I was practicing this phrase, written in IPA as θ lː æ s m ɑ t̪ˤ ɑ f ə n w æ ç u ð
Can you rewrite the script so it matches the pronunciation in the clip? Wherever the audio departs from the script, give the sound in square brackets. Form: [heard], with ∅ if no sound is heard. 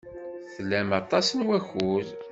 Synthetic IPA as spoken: θ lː æ [∅] m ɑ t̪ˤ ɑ [s] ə n w æ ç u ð